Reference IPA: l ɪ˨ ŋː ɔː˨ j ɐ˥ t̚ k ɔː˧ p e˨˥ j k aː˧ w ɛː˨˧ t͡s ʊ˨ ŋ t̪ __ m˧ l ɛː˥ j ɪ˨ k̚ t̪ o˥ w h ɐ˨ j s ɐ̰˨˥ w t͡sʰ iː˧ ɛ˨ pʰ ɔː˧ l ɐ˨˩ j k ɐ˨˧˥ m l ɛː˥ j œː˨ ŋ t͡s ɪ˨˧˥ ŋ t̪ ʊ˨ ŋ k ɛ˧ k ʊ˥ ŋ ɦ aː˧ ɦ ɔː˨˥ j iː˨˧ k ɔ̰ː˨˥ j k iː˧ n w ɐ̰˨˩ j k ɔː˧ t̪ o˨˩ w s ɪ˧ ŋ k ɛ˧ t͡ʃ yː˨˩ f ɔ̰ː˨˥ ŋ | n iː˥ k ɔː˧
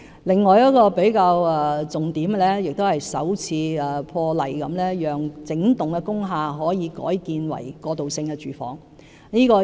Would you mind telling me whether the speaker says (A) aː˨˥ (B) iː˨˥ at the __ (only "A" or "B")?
B